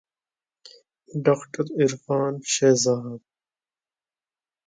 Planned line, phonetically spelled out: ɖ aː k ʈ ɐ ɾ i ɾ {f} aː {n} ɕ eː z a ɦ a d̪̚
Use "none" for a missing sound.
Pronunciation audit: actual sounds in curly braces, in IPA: f, n

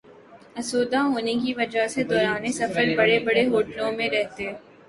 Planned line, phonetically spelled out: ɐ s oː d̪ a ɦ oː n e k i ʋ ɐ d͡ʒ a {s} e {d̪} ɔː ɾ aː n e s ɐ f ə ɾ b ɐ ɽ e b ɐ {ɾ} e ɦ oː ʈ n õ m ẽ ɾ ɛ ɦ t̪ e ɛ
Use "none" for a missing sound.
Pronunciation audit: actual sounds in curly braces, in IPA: s, d̪, ɽ

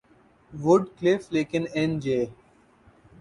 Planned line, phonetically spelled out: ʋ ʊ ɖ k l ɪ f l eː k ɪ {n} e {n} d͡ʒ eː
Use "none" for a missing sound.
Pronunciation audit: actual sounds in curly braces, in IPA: n, n

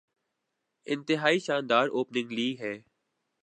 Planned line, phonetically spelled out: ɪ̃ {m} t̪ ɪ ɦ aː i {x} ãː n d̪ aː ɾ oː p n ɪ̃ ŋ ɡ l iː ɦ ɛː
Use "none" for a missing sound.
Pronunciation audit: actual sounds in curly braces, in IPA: n, ʃ

